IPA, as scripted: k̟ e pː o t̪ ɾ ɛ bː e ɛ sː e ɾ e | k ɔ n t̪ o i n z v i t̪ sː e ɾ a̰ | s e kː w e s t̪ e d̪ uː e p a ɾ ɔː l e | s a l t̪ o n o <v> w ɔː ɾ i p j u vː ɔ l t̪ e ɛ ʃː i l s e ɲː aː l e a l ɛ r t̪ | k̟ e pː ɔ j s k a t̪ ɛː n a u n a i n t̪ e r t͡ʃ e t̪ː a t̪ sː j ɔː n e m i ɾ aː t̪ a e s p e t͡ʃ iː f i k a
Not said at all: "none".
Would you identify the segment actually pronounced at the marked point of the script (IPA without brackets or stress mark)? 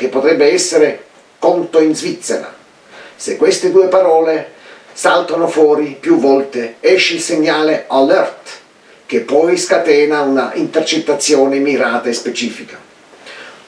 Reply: f